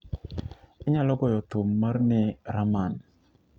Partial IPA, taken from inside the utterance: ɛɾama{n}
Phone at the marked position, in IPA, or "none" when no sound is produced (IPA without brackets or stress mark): n